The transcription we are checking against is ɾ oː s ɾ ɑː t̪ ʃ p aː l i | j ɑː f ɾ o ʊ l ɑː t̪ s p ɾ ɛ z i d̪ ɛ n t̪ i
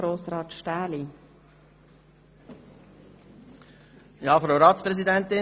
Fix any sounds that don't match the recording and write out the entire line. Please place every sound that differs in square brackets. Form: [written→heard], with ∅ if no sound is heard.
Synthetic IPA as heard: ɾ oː s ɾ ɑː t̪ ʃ [p→t] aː l i | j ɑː f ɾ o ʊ [l→ɾ] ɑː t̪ s p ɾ ɛ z i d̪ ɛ n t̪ [i→ɪ]